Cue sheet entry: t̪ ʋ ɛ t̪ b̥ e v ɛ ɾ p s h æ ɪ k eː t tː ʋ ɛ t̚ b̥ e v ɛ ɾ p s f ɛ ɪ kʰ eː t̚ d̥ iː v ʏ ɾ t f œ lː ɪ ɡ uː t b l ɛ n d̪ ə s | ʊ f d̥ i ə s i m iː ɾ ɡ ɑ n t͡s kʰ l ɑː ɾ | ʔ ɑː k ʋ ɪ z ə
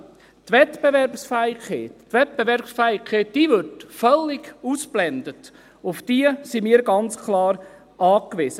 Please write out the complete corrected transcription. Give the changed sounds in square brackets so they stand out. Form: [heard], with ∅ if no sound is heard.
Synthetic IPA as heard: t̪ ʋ ɛ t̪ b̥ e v ɛ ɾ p s [f] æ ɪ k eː t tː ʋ ɛ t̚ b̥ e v ɛ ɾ p s f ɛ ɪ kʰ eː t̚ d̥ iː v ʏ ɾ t f œ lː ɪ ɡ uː [s] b l ɛ n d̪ ə [t] | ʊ f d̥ i ə s i m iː ɾ ɡ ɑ n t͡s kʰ l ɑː ɾ | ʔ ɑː k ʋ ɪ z ə

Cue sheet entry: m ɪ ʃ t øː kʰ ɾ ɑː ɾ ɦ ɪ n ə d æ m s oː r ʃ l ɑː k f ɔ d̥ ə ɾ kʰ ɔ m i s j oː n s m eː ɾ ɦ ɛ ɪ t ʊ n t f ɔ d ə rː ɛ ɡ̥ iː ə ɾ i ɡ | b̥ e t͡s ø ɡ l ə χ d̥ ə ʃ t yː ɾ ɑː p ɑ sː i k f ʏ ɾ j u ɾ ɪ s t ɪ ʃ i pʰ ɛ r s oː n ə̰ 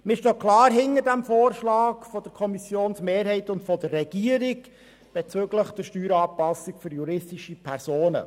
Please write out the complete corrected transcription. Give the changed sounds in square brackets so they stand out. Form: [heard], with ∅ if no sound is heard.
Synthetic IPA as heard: m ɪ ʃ t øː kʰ [l] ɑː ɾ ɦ ɪ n ə d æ m [f] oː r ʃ l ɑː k f ɔ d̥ ə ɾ kʰ ɔ m i s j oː n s m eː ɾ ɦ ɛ ɪ t ʊ n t f ɔ d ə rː ɛ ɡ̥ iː ə ɾ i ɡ | b̥ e t͡s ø ɡ l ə χ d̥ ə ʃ t yː ɾ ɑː p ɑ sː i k f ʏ ɾ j u ɾ ɪ s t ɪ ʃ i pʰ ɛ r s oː n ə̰

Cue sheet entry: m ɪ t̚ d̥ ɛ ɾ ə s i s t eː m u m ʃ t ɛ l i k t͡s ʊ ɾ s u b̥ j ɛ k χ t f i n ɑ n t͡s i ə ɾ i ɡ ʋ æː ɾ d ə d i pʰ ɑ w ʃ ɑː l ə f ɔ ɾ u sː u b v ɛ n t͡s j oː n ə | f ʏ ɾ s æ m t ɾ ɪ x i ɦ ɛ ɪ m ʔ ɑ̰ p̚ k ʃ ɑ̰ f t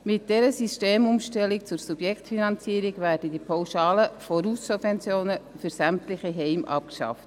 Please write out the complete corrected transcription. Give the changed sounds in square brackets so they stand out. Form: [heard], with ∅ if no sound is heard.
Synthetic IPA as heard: m ɪ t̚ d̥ ɛ ɾ ə s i s t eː m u m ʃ t ɛ l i k t͡s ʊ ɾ s u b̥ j ɛ k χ t f i n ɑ n t͡s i ə ɾ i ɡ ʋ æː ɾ d ə d i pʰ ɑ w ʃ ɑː l ə f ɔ ɾ u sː u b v ɛ n t͡s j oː n ə | f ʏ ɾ s æ m t [l] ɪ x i ɦ ɛ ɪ m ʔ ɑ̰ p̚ k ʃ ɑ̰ f t

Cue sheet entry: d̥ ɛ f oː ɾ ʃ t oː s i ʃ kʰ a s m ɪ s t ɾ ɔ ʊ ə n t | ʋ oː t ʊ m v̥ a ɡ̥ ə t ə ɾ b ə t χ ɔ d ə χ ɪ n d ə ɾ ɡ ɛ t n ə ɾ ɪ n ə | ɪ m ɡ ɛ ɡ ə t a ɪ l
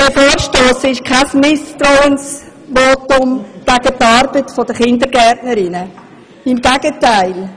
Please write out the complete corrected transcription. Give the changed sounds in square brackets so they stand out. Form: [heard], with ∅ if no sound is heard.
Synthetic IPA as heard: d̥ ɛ f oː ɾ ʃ t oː s [ɪ] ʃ kʰ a s m ɪ s t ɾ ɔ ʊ ə n [s] | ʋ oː t ʊ m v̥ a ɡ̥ ə t [ɑ] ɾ b ə t [f] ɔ d ə χ ɪ n d ə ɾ ɡ ɛ t n ə ɾ ɪ n ə | ɪ m ɡ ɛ ɡ ə t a ɪ l

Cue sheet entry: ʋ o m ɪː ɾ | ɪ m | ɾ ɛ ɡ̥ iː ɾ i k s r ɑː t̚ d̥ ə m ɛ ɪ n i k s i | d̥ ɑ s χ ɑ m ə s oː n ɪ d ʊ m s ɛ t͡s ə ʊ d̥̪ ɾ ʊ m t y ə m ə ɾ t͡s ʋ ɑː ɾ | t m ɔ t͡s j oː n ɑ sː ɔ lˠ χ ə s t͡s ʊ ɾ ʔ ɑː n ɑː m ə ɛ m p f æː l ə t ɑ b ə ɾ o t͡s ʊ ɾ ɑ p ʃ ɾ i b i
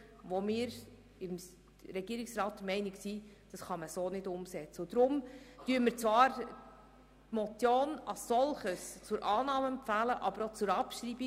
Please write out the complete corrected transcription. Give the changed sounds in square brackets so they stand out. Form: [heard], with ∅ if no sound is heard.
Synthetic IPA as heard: ʋ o m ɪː ɾ | ɪ m | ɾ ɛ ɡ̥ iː ɾ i k s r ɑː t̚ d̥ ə m ɛ ɪ n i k s i | d̥ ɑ s χ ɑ m ə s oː n ɪ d ʊ m s ɛ t͡s ə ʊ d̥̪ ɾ ʊ m t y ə m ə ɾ t͡s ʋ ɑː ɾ | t m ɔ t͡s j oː n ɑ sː ɔ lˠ χ ə s t͡s ʊ ɾ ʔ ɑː n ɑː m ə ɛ m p f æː l ə [ʔ] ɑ b ə ɾ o t͡s ʊ ɾ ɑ p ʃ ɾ i b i

